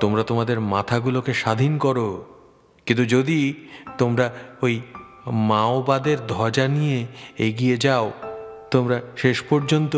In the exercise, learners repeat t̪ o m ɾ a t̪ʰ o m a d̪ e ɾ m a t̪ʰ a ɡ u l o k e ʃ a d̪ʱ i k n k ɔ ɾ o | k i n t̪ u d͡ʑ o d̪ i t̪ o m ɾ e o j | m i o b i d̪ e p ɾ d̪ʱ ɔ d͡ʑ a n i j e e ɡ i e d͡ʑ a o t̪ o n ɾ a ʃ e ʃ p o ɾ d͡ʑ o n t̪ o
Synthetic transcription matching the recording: t̪ o m ɾ a t̪ o m a d̪ e ɾ m a t̪ʰ a ɡ u l o k e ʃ a d̪ʱ i n k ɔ ɾ o | k i n t̪ u d͡ʑ o d̪ i t̪ o m ɾ a o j | m a o b a d̪ e ɾ d̪ʱ ɔ d͡ʑ a n i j e e ɡ i e d͡ʑ a o t̪ o m ɾ a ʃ e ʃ p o ɾ d͡ʑ o n t̪ o